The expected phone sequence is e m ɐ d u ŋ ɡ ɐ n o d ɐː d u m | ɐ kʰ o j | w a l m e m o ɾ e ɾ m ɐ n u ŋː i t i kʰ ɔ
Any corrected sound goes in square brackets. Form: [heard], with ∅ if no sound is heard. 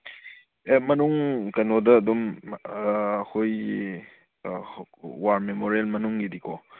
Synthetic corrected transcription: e m ɐ [n] u ŋ [k] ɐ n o d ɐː d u m | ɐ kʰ o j | w a [ɾ] m e m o ɾ e [l] m ɐ n u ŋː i [d] i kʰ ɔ